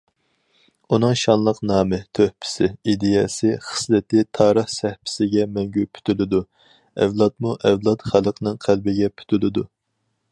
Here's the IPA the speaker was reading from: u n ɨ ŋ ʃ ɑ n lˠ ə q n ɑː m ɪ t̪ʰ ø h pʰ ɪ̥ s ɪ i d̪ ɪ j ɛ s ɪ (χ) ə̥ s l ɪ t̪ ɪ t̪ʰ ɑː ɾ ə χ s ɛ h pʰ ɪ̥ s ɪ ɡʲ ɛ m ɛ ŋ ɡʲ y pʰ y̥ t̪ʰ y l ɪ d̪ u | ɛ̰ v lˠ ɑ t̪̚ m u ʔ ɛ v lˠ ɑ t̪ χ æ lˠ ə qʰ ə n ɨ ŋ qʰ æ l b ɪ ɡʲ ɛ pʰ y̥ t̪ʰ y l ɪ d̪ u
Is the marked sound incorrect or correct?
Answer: correct